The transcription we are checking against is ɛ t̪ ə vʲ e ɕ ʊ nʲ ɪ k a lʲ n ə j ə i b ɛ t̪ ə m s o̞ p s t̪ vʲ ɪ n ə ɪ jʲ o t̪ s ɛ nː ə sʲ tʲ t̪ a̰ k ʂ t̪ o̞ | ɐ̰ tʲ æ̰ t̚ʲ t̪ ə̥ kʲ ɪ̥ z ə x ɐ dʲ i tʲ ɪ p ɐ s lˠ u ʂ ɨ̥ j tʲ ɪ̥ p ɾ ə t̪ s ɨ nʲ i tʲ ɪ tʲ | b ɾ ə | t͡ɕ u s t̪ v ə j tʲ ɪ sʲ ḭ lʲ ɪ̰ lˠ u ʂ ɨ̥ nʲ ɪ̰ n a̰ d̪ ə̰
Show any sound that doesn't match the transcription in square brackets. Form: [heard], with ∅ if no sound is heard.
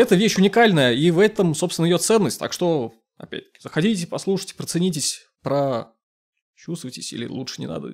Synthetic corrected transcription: ɛ t̪ ə vʲ e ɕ ʊ nʲ ɪ k a lʲ n ə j ə i [v] ɛ t̪ ə m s o̞ p s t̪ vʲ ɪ n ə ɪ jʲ o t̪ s ɛ nː ə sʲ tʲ t̪ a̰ k ʂ t̪ o̞ | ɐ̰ [pʲ] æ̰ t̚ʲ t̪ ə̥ kʲ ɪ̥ z ə x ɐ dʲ i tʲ ɪ p ɐ s lˠ u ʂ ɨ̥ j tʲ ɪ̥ p ɾ ə t̪ s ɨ nʲ i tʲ ɪ [sʲ] | [p] ɾ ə | t͡ɕ u s t̪ v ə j tʲ ɪ sʲ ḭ lʲ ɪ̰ lˠ u ʂ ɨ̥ nʲ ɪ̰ n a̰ d̪ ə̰